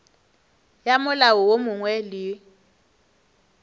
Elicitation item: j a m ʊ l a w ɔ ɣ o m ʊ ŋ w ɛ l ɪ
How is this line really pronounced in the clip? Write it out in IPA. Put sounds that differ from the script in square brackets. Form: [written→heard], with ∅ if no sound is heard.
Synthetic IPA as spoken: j a m ʊ l a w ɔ [ɣ→w] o m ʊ ŋ w ɛ l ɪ